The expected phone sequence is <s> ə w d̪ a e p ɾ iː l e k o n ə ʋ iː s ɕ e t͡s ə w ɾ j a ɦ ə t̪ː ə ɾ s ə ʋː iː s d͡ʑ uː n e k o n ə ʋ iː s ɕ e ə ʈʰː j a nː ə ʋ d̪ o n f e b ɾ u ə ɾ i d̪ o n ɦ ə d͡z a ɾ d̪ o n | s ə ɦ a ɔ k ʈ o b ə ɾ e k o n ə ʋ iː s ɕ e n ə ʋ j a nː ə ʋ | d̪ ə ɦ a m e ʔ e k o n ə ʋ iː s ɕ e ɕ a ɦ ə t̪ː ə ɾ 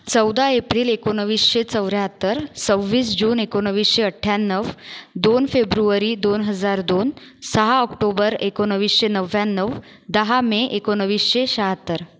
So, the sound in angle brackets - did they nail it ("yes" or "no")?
no